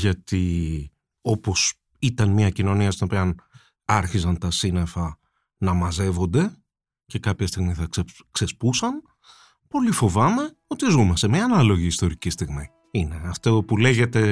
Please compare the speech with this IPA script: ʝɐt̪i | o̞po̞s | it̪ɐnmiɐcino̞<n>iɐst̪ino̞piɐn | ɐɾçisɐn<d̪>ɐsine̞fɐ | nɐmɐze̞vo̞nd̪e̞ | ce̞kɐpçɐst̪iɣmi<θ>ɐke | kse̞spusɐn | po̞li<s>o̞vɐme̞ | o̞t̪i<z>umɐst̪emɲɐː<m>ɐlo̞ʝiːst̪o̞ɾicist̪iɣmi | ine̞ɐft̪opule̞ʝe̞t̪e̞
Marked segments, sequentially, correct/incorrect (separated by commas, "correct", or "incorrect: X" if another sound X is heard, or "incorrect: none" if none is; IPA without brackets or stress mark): correct, incorrect: t̪, correct, incorrect: f, correct, incorrect: n